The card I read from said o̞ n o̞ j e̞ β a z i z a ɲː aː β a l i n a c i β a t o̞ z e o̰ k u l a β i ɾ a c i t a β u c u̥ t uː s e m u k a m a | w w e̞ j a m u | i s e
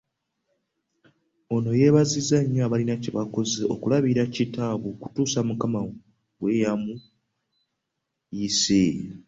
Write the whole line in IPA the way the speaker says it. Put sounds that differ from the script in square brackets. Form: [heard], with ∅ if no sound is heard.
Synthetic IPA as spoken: o̞ n o̞ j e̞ β a z i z a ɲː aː β a l i n a c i β a [k] o̞ z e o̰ k u l a β i ɾ a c i t a β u [k] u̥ t uː s [a] m u k a m a | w w e̞ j a m u | i s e

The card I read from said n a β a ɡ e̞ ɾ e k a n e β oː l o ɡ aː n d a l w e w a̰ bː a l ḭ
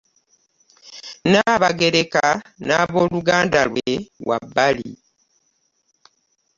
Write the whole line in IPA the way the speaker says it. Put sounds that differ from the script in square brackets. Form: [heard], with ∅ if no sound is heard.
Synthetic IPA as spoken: n a β a ɡ e̞ ɾ e k a n [a] β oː l [u] ɡ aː n d a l w e w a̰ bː a l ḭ

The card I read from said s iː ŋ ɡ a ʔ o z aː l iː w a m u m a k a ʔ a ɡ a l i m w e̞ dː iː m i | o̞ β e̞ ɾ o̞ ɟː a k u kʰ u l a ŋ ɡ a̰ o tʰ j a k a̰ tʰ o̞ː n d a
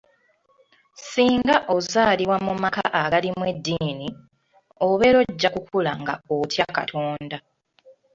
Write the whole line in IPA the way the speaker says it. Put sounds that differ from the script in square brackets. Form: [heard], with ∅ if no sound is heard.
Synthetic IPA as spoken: s iː ŋ ɡ a ʔ o z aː l [i] w a m u m a k a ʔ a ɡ a l i m w e̞ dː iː [n] i | o̞ β e̞ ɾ o̞ ɟː a k u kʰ u l a ŋ ɡ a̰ o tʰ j a k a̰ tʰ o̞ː n d a

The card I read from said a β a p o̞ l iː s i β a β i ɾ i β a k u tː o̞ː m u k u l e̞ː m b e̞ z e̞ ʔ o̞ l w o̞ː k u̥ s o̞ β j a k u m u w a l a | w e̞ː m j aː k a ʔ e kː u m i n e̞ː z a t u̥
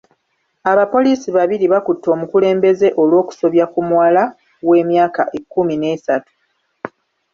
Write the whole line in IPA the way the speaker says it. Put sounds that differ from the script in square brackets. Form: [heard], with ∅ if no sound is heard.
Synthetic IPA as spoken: a β a p o̞ l iː s i β a β i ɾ i β a k u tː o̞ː m u k u l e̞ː m b e̞ z e̞ ʔ o̞ l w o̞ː k u̥ s o̞ β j a k u m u w a l a | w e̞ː m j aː k a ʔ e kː u m i n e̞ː [s] a t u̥

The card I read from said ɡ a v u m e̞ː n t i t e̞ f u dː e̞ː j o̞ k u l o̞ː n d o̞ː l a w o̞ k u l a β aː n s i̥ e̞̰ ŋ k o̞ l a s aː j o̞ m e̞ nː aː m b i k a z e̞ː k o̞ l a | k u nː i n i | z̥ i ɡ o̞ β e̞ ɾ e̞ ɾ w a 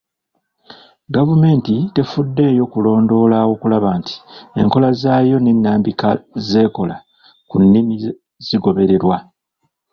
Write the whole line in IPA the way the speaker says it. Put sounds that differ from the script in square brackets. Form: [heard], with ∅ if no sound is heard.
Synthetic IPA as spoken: ɡ a v u m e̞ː n t i t e̞ f u dː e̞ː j o̞ k u l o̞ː n d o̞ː l a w o̞ k u l a β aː n [t] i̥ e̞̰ ŋ k o̞ l a [z] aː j o̞ [n] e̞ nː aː m b i k a z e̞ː k o̞ l a | k u nː i [m] i | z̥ i ɡ o̞ β e̞ ɾ e̞ ɾ w a

